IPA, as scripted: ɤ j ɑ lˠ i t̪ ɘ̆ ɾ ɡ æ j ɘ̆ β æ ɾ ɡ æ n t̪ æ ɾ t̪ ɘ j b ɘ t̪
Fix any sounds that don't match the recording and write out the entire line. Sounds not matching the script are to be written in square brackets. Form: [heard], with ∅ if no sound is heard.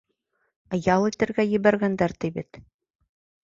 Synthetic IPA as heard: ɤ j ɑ lˠ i t̪ ɘ̆ ɾ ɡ æ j ɘ̆ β æ ɾ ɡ æ n [d̪] æ ɾ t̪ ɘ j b ɘ t̪